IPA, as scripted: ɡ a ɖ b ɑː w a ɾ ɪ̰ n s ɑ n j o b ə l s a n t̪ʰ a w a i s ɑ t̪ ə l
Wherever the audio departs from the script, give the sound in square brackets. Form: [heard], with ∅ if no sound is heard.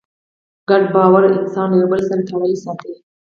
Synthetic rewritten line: ɡ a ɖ b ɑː w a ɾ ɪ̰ n s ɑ n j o b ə l s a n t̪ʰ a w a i s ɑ t̪ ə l